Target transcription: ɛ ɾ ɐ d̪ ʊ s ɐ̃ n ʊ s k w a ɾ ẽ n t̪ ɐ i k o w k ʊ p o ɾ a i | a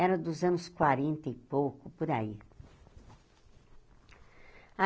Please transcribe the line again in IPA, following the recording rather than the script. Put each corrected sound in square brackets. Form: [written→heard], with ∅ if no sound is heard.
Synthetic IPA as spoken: ɛ ɾ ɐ d̪ ʊ [s→z] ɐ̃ n ʊ s k w a ɾ ẽ n t̪ ɐ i [k→p] o w k ʊ p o ɾ a i | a